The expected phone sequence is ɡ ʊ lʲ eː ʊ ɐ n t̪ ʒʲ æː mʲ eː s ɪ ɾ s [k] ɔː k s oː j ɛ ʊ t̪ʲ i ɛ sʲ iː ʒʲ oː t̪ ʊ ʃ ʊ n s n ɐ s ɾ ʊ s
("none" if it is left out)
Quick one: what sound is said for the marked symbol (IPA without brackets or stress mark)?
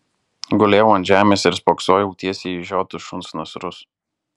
p